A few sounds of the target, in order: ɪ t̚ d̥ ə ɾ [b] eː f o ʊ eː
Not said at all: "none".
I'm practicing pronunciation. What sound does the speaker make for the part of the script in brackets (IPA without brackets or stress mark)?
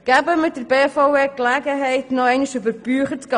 b